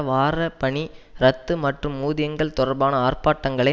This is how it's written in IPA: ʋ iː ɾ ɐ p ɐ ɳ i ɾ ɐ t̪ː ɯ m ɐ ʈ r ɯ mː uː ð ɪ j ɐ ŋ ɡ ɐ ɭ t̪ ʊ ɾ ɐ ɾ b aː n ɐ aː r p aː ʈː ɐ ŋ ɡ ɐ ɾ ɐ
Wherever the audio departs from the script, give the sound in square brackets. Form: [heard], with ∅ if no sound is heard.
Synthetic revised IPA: ʋ [aː] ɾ ɐ p ɐ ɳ i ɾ ɐ t̪ː ɯ m ɐ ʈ r ɯ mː uː ð ɪ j ɐ ŋ ɡ ɐ ɭ t̪ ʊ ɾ ɐ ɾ b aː n ɐ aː r p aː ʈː ɐ ŋ ɡ ɐ [ɭ] ɐ